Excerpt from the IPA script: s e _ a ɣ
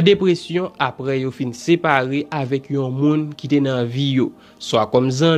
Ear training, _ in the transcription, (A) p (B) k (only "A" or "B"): A